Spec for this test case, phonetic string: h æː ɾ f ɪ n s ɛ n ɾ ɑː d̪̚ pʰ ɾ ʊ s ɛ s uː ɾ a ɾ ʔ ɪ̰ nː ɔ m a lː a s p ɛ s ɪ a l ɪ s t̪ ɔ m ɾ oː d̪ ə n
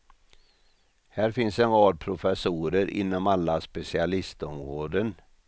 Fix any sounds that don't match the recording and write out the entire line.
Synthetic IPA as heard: h æː ɾ f ɪ n s ɛ n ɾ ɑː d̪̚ pʰ ɾ ʊ f ɛ s uː ɾ ə ɾ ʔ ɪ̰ nː ɔ m a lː a s p ɛ s ɪ a l ɪ s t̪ ɔ m ɾ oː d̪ ə n